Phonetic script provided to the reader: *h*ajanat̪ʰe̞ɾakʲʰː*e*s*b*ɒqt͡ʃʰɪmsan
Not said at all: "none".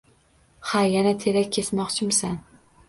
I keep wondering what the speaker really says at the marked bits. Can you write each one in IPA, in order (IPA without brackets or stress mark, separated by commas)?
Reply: h, e, m